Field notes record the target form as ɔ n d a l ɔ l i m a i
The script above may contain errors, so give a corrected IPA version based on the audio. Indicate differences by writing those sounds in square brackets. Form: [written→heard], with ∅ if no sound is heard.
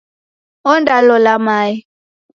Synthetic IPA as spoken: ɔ n d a l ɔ l [i→a] m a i